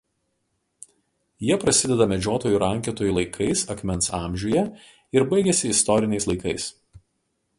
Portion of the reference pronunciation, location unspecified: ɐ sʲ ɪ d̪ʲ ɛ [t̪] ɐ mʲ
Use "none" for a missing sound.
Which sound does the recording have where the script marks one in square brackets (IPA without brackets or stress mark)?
d̪